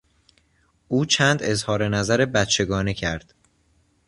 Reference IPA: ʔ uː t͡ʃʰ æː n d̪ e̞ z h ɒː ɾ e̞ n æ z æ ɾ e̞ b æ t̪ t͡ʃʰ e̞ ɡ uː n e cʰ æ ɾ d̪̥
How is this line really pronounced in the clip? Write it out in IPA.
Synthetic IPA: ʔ uː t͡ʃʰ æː n d̪ e̞ z h ɒː ɾ e̞ n æ z æ ɾ e̞ b æ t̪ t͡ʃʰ e̞ ɡ ɒː n e cʰ æ ɾ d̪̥